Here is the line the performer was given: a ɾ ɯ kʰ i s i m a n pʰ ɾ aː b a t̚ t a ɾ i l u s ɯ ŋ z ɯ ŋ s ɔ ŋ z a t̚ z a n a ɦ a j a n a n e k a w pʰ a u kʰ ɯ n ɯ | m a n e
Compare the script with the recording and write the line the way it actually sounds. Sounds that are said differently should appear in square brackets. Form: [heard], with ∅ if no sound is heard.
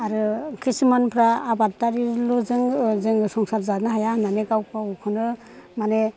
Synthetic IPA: a ɾ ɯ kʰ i s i m a n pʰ ɾ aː b a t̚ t a ɾ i l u [z] ɯ ŋ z ɯ ŋ s ɔ ŋ [s] a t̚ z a n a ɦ a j a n a n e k a w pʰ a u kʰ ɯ n ɯ | m a n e